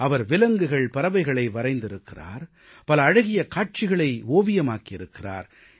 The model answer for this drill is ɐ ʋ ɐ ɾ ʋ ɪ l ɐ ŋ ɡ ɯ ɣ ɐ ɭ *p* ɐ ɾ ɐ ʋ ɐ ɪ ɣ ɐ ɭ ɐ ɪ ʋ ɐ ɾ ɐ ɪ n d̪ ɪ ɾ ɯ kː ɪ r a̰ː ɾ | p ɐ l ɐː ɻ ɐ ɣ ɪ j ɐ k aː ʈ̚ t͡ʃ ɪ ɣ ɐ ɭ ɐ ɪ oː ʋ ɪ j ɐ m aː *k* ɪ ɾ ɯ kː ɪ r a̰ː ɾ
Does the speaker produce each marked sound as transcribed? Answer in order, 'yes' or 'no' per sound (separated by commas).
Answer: yes, yes